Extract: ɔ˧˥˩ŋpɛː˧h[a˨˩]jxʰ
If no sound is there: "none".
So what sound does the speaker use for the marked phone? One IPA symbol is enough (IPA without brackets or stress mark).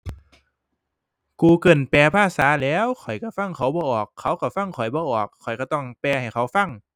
a˨˩